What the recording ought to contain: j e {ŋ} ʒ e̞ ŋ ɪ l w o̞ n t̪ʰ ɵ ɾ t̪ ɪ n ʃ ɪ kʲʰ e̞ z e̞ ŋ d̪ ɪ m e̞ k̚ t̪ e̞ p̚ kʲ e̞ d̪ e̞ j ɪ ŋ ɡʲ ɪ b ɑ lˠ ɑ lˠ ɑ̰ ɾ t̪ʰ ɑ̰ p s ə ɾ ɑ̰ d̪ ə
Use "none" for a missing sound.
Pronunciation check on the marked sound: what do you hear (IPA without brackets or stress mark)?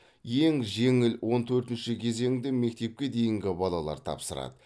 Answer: ŋ